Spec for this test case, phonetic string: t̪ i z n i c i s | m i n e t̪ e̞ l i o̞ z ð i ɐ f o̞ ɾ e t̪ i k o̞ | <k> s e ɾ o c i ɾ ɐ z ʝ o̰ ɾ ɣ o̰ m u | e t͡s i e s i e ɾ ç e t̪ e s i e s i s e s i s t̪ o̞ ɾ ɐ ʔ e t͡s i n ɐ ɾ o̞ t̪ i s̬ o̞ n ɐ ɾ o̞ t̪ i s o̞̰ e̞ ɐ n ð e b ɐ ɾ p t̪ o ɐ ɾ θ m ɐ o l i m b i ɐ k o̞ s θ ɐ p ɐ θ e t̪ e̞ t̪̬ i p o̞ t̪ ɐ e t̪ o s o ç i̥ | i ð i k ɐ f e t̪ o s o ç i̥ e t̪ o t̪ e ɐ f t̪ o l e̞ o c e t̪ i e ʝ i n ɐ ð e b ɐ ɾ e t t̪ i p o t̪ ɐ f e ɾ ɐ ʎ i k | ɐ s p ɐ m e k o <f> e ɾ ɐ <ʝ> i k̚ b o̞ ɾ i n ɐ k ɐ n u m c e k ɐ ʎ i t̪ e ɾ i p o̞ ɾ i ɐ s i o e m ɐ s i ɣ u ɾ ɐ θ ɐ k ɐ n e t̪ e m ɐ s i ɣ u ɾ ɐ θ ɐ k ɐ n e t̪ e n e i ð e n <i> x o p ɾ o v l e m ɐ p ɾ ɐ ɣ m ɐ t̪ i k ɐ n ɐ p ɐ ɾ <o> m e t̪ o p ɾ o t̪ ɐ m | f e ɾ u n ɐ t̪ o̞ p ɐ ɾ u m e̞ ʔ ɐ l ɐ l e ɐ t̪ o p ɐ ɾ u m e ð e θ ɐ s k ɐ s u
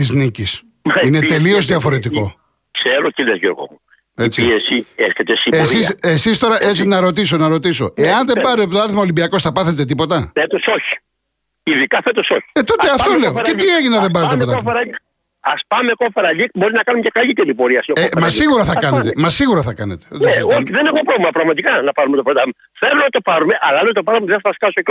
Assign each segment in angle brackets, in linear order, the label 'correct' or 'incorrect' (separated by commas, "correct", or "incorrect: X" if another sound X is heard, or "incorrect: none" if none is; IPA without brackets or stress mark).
correct, correct, incorrect: ʎ, incorrect: e, incorrect: u